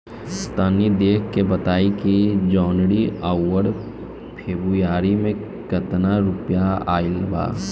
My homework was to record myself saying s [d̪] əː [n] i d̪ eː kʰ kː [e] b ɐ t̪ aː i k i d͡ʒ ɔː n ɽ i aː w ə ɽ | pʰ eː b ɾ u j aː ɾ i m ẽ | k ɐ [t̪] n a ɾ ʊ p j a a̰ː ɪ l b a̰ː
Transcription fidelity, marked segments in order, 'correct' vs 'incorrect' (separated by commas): incorrect, correct, correct, correct